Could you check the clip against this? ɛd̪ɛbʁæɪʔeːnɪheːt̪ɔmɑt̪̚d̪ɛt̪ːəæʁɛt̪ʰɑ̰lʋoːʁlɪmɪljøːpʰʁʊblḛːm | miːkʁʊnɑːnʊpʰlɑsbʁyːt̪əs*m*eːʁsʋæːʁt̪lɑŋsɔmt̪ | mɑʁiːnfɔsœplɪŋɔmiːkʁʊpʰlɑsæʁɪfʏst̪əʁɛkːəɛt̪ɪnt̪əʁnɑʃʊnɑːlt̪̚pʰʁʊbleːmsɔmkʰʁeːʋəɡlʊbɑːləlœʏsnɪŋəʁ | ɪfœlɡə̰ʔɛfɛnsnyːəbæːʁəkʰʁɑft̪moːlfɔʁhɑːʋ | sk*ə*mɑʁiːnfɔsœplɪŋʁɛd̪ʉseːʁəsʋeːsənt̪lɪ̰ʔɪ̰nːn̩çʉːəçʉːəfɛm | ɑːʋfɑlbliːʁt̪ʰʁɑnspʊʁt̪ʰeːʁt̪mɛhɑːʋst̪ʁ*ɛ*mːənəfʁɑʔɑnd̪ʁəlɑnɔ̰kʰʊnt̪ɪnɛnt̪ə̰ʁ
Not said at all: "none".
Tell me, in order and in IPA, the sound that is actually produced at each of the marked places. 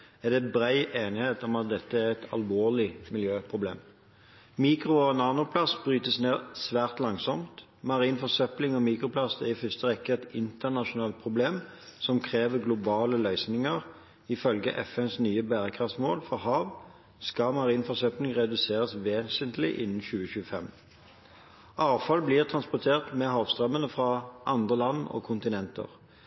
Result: n, ɑ, œ

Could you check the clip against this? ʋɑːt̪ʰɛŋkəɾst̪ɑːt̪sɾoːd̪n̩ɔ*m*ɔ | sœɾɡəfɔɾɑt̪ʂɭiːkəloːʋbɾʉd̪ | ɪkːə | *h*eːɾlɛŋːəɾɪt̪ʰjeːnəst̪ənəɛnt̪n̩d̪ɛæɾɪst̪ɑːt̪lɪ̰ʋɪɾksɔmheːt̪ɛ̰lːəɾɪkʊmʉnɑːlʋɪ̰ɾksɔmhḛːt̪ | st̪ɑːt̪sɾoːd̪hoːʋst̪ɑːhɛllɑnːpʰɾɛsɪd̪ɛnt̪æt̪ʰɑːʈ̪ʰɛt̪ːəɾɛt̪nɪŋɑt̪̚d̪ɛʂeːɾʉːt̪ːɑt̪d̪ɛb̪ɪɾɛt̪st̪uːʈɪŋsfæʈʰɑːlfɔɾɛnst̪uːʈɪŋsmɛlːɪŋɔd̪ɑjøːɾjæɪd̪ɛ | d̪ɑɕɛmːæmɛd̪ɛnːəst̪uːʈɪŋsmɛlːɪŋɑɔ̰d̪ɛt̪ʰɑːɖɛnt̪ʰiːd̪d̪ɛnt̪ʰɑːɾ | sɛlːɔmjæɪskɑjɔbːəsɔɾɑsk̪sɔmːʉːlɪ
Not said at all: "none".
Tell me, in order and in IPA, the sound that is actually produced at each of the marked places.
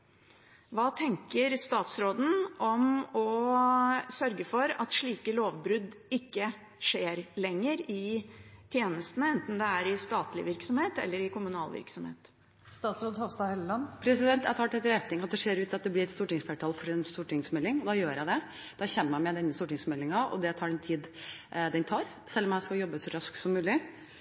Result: m, ʂ

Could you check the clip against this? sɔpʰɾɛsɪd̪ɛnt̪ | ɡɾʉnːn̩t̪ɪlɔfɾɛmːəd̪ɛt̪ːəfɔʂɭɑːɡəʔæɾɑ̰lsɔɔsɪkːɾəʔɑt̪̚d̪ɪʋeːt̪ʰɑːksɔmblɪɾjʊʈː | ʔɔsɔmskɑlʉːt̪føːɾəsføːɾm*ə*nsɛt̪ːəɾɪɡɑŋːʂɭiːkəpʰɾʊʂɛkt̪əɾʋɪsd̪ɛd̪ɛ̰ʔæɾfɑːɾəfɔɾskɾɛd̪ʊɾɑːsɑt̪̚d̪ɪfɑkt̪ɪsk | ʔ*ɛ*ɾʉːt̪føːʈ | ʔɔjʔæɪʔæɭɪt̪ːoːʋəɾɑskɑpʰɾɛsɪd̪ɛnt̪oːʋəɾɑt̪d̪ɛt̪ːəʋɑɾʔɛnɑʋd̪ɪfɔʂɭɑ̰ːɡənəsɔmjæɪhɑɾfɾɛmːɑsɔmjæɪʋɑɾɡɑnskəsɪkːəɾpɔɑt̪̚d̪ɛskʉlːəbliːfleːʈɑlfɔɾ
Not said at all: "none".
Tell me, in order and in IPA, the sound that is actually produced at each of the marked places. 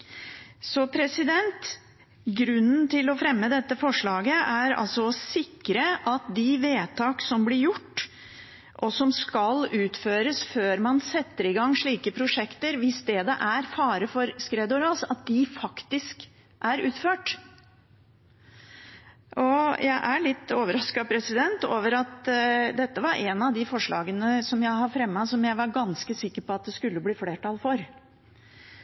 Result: ɑ, æ

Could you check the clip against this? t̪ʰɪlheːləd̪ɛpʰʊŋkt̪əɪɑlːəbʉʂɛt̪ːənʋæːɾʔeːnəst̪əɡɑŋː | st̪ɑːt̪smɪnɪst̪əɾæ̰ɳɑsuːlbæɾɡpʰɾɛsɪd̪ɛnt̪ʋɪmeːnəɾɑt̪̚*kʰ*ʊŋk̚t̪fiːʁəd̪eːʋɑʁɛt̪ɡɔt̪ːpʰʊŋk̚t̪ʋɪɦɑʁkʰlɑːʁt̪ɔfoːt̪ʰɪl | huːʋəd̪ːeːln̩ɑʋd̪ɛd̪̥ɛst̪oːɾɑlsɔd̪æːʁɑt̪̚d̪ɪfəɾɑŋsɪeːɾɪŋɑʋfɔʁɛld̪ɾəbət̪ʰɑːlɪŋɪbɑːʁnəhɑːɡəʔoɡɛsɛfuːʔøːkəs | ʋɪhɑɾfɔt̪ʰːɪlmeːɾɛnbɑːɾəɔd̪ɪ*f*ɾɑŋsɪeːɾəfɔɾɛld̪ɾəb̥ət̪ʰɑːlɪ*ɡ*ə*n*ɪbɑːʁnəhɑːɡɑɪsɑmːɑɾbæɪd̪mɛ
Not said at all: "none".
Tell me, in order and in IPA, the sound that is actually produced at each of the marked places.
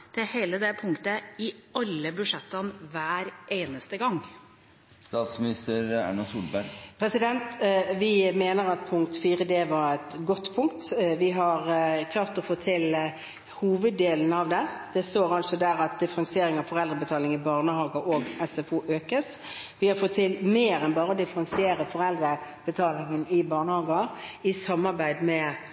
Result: pʰ, f, ŋ, n

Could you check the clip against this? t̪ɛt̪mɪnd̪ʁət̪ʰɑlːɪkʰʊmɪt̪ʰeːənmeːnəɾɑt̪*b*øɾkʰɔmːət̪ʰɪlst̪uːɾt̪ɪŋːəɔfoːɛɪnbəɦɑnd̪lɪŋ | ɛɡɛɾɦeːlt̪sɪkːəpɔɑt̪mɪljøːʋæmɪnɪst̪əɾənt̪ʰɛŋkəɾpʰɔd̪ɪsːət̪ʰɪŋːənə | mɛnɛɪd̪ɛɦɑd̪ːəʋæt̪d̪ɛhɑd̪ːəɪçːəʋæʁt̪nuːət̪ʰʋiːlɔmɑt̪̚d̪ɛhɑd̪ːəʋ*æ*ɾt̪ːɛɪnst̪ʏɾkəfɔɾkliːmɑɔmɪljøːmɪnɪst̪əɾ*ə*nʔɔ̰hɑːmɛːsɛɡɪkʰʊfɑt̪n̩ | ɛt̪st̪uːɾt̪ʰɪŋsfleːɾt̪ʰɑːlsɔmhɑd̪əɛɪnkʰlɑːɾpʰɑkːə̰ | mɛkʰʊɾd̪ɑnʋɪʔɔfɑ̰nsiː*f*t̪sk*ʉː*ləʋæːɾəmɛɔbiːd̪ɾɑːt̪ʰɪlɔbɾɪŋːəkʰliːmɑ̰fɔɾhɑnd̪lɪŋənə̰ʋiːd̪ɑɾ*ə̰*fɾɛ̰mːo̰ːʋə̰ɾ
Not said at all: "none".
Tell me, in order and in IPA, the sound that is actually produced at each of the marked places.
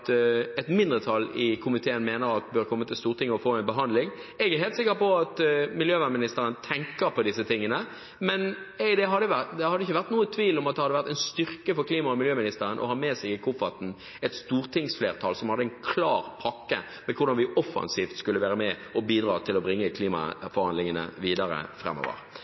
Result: b, æ, ə, f, ʉ, ə̰

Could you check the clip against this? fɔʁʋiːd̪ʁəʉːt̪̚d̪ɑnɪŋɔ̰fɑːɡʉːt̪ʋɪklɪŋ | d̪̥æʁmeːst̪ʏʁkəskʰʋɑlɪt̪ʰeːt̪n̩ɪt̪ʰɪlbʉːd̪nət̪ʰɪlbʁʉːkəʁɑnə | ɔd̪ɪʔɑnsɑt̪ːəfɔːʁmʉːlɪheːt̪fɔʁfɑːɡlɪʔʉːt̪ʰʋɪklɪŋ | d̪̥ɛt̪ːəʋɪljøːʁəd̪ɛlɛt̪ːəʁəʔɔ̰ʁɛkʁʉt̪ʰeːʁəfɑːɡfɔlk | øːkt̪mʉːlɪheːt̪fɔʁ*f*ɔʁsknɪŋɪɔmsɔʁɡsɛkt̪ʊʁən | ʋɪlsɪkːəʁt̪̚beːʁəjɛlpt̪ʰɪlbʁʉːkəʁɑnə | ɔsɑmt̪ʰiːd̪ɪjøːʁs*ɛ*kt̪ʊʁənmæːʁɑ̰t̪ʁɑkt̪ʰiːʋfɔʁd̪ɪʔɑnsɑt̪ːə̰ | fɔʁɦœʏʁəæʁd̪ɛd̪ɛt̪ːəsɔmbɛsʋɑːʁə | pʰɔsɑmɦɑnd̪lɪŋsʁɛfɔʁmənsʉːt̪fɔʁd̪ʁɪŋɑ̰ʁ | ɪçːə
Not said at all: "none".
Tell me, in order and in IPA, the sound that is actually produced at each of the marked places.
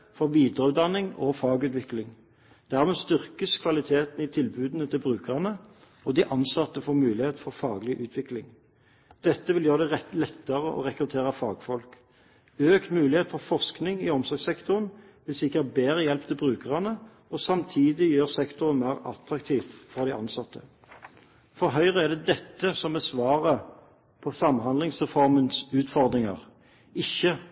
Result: f, ɛ

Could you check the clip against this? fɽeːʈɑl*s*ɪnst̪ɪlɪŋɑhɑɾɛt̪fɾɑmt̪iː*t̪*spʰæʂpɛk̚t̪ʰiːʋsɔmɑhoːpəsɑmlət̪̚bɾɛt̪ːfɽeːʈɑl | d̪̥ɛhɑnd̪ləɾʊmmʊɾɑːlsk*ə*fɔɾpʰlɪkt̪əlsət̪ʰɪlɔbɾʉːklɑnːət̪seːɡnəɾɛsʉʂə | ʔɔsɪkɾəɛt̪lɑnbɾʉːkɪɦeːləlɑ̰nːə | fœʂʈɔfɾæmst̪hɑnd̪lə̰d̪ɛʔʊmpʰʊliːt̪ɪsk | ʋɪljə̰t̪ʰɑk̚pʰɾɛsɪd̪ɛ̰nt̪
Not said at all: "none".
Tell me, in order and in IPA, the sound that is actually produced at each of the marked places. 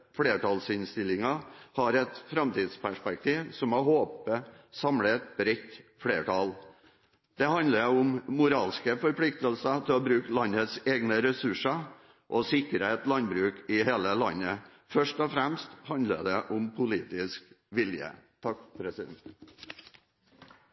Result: s, d̪, ə

